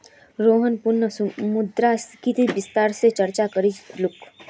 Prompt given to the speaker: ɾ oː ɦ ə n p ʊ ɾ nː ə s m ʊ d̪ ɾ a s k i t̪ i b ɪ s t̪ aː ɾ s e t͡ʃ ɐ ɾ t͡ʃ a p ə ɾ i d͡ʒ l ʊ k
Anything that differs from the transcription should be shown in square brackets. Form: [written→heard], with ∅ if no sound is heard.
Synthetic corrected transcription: ɾ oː ɦ ə n p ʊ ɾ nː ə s m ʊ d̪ ɾ a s k i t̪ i b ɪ s t̪ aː ɾ s e t͡ʃ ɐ ɾ t͡ʃ a [p→k] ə ɾ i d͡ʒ l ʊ k